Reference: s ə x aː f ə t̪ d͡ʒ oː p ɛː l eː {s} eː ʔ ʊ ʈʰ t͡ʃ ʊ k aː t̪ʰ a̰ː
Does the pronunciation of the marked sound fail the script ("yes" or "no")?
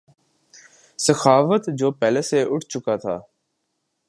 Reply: no